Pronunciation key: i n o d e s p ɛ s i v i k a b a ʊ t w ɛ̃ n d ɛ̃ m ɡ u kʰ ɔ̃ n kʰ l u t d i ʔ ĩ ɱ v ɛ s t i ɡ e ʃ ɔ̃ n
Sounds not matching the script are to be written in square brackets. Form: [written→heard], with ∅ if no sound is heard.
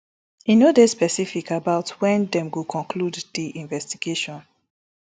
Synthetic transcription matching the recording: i n o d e s p ɛ s i [v→f] i k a b a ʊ t w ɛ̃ n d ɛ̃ m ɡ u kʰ ɔ̃ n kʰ l u [t→d] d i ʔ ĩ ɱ v ɛ s t i ɡ e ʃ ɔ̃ n